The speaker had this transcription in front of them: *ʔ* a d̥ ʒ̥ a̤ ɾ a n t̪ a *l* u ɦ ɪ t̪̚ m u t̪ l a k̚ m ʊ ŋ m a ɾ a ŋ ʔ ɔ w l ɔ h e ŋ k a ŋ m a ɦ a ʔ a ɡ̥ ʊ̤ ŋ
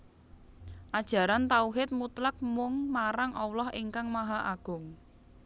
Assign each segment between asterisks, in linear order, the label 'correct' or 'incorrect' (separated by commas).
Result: correct, incorrect